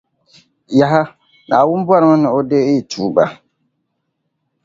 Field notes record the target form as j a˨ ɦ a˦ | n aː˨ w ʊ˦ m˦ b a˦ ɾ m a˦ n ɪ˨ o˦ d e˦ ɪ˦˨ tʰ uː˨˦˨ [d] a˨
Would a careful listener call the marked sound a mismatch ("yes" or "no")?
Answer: yes